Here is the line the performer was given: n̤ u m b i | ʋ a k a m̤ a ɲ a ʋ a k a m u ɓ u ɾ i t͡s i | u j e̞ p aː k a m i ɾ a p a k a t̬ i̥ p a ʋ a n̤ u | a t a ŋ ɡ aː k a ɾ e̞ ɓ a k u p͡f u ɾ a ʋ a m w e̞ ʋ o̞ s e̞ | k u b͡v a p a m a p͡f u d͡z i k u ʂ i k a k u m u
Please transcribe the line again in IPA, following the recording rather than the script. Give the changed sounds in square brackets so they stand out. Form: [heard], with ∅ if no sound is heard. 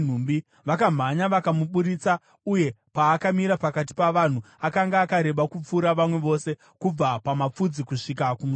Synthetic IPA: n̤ u m b i | ʋ a k a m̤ a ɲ a ʋ a k a m u ɓ u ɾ i t͡s [a] | u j e̞ p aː k a m i ɾ a p a k a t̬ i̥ p a ʋ a n̤ u | a [k] a ŋ ɡ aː k a ɾ e̞ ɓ a k u p͡f u ɾ a ʋ a m w e̞ ʋ o̞ s e̞ | k u b͡v a p a m a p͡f u d͡z i k u ʂ i k a k u m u